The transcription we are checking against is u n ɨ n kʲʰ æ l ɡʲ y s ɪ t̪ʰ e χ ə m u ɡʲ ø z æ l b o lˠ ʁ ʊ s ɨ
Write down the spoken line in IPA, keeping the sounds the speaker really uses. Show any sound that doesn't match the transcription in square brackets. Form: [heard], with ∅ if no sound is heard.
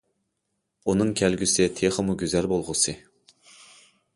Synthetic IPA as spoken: u n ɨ [ŋ] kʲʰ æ l ɡʲ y s ɪ t̪ʰ e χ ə m u ɡʲ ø z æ l b o lˠ ʁ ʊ s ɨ

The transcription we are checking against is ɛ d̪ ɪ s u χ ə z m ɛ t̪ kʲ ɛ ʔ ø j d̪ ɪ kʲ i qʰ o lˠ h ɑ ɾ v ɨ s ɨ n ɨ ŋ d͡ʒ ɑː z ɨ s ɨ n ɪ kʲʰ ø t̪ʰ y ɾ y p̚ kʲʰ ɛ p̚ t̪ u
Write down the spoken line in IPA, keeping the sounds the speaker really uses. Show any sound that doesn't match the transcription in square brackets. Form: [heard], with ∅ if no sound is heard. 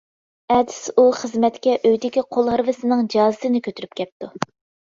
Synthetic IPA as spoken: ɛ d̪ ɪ s u χ ə z m ɛ t̪ kʲ ɛ ʔ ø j d̪ ɪ kʲ i qʰ o lˠ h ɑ ɾ v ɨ s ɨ n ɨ ŋ d͡ʒ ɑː z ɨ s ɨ n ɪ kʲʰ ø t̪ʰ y ɾ y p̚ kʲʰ ɛ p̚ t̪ u

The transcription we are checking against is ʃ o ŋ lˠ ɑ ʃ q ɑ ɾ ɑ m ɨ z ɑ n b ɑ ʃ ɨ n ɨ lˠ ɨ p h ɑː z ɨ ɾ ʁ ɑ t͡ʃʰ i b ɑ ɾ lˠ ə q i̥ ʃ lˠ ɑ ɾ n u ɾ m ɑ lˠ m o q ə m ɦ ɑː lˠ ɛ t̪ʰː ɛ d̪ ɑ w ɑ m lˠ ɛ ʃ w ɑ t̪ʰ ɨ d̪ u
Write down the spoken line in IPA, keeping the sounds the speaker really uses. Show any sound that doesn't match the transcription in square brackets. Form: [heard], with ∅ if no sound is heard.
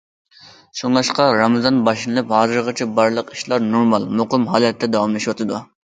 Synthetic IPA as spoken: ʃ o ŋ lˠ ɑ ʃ q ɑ ɾ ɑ m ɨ z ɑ n b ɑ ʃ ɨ n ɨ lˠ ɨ p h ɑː z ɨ ɾ ʁ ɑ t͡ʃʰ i b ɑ ɾ lˠ ə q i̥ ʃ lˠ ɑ ɾ n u ɾ m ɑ lˠ m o q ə m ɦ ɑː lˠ ɛ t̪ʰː ɛ d̪ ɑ w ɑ m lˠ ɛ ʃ w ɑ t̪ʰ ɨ d̪ u

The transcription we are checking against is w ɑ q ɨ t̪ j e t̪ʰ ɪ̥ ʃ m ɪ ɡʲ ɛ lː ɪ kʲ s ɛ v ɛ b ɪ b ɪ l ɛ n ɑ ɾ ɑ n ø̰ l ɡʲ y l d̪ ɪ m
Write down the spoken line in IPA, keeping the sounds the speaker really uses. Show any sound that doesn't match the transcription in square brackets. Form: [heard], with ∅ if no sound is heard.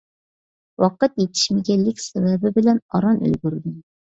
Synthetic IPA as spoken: w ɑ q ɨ t̪ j e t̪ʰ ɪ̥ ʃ m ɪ ɡʲ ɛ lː ɪ kʲ s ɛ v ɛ b ɪ b ɪ l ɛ n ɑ ɾ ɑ n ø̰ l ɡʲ y [ɾ] d̪ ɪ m

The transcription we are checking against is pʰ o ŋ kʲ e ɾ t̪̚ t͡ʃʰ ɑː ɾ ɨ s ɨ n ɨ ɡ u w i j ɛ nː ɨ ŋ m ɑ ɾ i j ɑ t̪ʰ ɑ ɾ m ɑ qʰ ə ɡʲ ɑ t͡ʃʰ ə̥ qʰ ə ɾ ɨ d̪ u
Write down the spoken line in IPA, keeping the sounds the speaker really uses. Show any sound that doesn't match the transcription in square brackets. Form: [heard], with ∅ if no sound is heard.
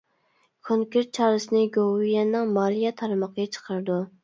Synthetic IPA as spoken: [kʰ] o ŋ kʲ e ɾ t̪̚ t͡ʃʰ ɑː ɾ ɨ s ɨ n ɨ ɡ [o] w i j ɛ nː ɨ ŋ m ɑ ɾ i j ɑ t̪ʰ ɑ ɾ m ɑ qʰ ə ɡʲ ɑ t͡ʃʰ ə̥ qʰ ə ɾ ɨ d̪ u

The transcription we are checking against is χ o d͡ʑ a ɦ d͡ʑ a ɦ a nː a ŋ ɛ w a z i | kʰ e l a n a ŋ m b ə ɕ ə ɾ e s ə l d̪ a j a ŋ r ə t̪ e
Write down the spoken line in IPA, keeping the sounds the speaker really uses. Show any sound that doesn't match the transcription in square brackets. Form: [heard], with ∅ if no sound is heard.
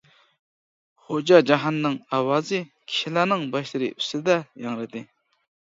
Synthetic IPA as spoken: χ o d͡ʑ a ɦ d͡ʑ a ɦ a nː a ŋ [a] w a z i | kʰ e l a n a ŋ m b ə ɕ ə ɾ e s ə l d̪ a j a ŋ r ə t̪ e

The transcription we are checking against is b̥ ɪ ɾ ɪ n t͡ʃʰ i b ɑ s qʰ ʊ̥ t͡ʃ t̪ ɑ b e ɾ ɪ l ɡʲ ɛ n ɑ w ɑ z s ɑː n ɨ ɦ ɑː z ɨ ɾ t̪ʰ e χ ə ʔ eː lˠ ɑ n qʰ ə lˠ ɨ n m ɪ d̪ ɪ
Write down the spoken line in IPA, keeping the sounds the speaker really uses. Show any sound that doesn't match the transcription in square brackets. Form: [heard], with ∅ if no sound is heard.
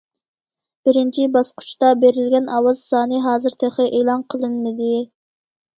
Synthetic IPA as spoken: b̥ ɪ ɾ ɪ n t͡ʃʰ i b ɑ s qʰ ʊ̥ t͡ʃ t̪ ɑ b e ɾ ɪ l ɡʲ ɛ n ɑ w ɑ z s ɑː n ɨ ɦ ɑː z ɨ ɾ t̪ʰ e χ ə ʔ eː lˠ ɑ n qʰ ə lˠ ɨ n m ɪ d̪ ɪ

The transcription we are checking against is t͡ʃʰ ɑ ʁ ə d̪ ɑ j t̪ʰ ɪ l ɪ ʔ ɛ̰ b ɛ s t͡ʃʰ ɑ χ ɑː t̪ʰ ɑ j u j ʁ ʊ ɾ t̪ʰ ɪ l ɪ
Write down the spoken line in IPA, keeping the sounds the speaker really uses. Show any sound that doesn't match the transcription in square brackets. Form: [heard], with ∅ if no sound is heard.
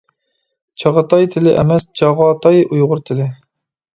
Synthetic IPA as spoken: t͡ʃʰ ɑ ʁ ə [t̪] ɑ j t̪ʰ ɪ l ɪ ʔ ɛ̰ [m] ɛ s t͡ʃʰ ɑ [ʁ] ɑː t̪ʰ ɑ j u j ʁ ʊ ɾ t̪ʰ ɪ l ɪ

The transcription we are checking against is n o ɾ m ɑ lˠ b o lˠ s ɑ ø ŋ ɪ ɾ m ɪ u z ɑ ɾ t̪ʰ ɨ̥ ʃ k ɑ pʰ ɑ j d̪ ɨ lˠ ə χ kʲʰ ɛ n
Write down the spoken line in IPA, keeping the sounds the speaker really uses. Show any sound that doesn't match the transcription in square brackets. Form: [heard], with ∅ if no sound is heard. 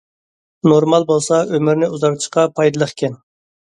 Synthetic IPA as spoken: n o ɾ m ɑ lˠ b o lˠ s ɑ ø [m] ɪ ɾ [n] ɪ u z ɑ ɾ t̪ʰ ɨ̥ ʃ [q] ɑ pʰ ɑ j d̪ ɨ lˠ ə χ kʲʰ ɛ n

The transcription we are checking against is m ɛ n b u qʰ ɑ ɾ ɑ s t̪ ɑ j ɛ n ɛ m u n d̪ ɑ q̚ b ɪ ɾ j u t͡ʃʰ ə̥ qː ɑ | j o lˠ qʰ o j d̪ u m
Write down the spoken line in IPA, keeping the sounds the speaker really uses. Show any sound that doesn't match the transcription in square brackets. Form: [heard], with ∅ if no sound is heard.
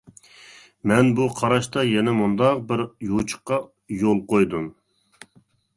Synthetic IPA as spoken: m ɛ n b u qʰ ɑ ɾ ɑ [ʃ] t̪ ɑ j ɛ n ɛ m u n d̪ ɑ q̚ b ɪ ɾ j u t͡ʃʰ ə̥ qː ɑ | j o lˠ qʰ o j d̪ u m

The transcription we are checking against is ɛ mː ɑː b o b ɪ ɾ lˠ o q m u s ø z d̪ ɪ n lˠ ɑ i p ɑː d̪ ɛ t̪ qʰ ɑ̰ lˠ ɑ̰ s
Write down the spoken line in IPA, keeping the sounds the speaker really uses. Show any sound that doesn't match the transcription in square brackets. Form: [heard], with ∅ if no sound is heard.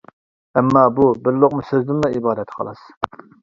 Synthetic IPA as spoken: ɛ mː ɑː b [u] b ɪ ɾ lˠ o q m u s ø z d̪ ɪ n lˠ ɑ i [b] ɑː d̪ ɛ t̪ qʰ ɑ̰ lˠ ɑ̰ s

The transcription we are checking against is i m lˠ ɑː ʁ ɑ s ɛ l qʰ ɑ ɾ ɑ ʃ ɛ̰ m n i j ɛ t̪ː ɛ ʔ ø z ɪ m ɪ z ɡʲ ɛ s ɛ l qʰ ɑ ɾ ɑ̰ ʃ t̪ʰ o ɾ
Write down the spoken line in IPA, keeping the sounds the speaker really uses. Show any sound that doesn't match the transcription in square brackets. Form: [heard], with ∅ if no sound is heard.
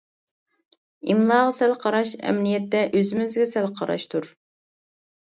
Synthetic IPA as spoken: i m lˠ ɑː ʁ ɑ s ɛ l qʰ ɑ ɾ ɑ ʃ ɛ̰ m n i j ɛ t̪ː ɛ ʔ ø z ɪ m ɪ z ɡʲ ɛ s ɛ l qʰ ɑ ɾ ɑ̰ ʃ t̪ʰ [u] ɾ

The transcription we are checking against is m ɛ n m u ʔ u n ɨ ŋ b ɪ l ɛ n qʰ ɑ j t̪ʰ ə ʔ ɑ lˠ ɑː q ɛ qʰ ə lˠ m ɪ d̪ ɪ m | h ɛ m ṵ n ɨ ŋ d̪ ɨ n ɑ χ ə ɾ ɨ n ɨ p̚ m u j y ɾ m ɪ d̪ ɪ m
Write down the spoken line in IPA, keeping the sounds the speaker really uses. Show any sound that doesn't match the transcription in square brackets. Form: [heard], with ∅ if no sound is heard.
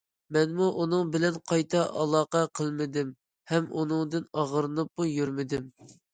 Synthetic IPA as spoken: m ɛ n m u ʔ u n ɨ ŋ b ɪ l ɛ n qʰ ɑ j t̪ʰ [ɑ] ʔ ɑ lˠ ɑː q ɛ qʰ ə lˠ m ɪ d̪ ɪ m | h ɛ m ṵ n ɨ ŋ d̪ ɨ n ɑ [ʁ] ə ɾ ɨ n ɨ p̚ m u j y ɾ m ɪ d̪ ɪ m

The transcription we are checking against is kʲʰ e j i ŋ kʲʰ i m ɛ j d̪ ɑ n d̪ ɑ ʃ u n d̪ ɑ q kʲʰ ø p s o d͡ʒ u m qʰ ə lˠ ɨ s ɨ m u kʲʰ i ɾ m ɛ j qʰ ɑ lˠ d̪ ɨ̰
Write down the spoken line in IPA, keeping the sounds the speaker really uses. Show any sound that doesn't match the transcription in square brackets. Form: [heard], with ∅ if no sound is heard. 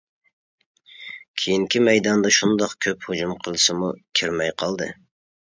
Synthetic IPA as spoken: kʲʰ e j i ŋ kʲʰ i m ɛ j d̪ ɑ n d̪ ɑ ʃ u n d̪ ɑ q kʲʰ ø p [h] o d͡ʒ u m qʰ ə lˠ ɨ s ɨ m u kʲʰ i ɾ m ɛ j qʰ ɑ lˠ d̪ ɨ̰

